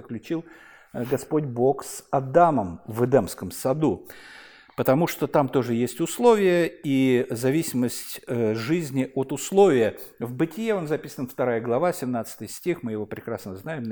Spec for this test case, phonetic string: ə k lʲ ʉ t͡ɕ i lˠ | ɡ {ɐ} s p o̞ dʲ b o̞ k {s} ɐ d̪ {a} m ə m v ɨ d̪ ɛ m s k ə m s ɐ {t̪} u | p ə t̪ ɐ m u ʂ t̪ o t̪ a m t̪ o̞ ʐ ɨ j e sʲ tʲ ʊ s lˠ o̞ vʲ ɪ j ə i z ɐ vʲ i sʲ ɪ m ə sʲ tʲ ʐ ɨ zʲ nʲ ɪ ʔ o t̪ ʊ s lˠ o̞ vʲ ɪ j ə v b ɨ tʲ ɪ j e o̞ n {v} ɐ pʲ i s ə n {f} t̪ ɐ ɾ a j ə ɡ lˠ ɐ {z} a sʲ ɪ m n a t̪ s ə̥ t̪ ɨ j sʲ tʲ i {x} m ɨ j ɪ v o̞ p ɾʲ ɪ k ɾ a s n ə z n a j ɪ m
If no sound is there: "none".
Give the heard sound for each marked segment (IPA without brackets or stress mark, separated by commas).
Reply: ɐ, s, a, d̪, z, f, v, x